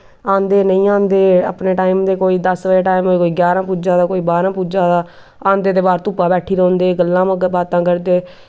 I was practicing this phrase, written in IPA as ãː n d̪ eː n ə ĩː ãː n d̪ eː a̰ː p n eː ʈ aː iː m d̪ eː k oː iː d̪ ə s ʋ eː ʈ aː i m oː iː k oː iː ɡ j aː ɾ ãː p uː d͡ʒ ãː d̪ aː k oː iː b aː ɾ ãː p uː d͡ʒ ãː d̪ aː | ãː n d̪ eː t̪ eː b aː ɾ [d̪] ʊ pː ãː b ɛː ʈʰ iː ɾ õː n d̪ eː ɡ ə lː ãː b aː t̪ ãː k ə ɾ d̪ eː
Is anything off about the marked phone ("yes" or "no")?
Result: yes